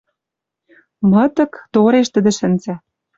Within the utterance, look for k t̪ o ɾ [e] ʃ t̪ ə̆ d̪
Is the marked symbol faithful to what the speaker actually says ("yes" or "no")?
yes